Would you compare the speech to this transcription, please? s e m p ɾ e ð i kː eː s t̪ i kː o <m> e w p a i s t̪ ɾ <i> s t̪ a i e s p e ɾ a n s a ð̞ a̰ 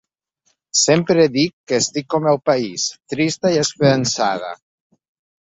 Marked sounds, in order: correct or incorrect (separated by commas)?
correct, correct